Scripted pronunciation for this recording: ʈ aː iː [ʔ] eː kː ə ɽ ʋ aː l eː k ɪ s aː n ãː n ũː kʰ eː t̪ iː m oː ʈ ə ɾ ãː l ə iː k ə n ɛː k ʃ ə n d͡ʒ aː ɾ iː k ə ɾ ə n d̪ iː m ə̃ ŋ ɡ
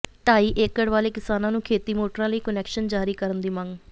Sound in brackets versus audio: correct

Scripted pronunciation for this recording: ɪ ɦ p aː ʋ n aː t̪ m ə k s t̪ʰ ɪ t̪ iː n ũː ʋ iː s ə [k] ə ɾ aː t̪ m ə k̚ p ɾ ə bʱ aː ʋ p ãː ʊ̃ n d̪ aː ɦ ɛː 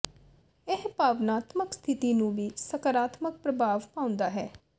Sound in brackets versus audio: correct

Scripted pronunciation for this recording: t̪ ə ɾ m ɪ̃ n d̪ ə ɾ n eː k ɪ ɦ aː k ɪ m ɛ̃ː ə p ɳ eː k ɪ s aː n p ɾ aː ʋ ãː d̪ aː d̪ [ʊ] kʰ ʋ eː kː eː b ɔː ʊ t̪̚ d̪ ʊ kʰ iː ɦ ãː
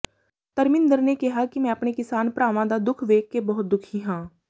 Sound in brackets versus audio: correct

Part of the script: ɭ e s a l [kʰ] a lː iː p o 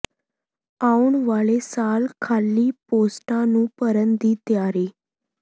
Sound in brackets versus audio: correct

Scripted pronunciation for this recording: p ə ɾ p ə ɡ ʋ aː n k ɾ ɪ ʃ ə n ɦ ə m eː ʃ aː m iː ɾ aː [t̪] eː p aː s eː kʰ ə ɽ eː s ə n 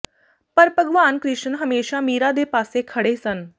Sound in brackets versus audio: incorrect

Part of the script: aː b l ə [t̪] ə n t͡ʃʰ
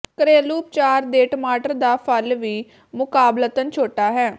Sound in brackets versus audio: correct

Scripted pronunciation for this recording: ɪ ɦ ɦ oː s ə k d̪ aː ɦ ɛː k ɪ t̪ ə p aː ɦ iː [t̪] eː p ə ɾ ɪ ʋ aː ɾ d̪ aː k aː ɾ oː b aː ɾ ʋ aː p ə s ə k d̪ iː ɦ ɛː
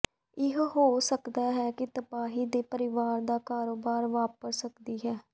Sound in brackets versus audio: incorrect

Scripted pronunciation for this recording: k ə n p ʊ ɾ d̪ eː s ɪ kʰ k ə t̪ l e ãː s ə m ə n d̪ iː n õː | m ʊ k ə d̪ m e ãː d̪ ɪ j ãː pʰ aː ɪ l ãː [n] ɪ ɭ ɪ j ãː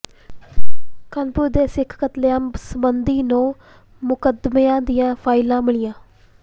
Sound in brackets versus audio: incorrect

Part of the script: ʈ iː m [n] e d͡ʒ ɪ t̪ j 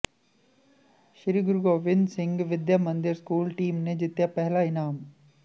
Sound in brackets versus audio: correct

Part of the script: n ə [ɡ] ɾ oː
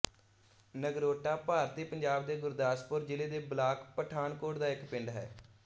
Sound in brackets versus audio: correct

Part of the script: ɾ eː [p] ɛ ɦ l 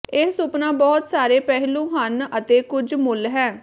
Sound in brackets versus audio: correct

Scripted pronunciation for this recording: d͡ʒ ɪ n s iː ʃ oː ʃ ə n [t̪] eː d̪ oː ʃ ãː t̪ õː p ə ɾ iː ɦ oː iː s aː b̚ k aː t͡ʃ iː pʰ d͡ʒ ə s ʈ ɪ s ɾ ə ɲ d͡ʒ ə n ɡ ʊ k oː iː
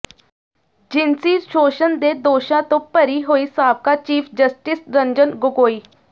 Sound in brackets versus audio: incorrect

